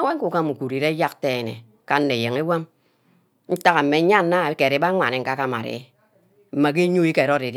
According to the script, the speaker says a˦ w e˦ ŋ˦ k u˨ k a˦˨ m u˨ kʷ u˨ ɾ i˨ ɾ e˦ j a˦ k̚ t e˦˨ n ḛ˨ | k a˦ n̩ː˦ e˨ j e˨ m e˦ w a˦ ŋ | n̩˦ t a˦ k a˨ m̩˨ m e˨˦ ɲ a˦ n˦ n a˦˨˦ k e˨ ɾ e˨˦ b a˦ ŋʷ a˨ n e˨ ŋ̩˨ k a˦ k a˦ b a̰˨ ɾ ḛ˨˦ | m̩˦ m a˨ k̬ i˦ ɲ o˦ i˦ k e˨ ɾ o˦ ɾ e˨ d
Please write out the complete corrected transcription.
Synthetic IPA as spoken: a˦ w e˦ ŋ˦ k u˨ k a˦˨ m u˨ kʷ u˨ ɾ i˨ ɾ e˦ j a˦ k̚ t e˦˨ n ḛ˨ | k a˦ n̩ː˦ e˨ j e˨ ŋ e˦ w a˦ m | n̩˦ t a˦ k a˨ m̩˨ m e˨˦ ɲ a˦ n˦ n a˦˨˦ k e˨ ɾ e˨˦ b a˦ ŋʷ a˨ n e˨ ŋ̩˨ k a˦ k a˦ m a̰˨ ɾ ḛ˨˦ | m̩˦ m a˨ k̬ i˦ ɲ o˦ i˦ k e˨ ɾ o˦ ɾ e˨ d